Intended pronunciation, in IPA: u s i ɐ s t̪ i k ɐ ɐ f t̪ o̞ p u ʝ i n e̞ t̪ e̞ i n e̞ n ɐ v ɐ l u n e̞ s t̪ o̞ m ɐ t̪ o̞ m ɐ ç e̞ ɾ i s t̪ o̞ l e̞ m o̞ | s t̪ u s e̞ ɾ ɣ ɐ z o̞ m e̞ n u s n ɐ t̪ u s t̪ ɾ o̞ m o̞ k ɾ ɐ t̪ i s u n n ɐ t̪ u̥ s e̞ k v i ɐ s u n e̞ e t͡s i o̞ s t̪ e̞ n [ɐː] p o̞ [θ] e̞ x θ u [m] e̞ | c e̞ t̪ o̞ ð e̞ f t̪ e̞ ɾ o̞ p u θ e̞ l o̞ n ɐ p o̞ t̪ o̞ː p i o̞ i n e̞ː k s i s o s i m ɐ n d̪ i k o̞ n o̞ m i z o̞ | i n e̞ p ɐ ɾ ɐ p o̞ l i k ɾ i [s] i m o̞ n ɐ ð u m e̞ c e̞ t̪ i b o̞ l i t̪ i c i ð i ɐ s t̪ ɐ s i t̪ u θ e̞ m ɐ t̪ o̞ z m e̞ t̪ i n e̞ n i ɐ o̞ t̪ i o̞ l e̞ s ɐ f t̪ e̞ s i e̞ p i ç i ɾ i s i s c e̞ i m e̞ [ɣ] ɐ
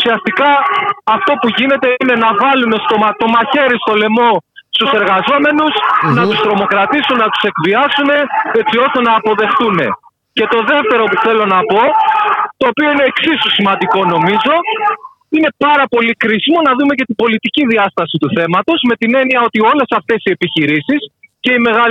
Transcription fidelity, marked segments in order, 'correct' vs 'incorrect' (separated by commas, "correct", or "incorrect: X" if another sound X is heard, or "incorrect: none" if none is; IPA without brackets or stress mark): correct, incorrect: ð, incorrect: n, correct, correct